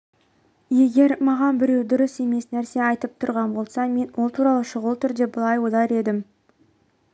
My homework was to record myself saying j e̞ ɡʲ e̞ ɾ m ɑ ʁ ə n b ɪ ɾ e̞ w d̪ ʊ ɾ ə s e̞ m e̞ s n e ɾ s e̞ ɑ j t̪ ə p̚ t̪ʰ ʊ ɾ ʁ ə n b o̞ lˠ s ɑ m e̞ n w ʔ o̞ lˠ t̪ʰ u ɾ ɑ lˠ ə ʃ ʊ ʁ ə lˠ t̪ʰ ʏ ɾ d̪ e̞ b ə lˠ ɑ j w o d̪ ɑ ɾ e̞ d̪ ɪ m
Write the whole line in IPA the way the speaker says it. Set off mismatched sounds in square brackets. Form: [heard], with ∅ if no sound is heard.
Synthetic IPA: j e̞ ɡʲ e̞ ɾ m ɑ ʁ [ɑ] n b ɪ ɾ e̞ w d̪ ʊ ɾ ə s e̞ m e̞ s n [æ] ɾ s e̞ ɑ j t̪ ə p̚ t̪ʰ ʊ ɾ ʁ [ɑ] n b o̞ lˠ s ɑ m e̞ n w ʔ o̞ lˠ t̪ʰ u ɾ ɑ lˠ ə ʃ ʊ ʁ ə lˠ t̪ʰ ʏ ɾ d̪ e̞ b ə lˠ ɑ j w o d̪ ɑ ɾ e̞ d̪ ɪ m